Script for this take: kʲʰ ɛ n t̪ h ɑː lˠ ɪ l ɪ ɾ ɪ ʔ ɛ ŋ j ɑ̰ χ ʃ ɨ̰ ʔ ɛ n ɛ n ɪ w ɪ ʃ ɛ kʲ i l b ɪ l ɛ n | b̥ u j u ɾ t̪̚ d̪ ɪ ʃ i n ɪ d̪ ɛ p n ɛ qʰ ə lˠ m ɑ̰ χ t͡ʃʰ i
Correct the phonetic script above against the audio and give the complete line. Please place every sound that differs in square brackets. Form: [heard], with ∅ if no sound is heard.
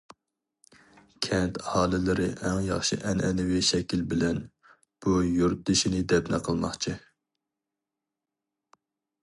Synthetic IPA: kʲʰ ɛ n t̪ h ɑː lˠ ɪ l ɪ ɾ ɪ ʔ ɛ ŋ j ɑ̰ χ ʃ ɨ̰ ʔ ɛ n ɛ n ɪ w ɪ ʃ ɛ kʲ i l b ɪ l ɛ n | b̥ u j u ɾ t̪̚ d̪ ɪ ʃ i n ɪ d̪ ɛ p n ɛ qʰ ə lˠ m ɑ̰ χ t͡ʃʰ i